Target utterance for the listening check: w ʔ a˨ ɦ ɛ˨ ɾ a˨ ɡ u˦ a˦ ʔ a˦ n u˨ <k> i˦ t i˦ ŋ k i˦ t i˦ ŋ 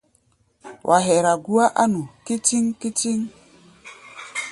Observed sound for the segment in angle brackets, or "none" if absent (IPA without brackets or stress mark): k